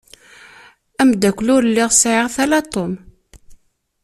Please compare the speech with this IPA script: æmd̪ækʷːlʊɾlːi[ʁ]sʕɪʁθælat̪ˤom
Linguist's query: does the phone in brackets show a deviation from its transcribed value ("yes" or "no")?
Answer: no